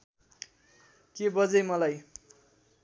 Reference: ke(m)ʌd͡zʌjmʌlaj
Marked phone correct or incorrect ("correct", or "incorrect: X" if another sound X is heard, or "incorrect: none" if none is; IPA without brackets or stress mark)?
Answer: incorrect: b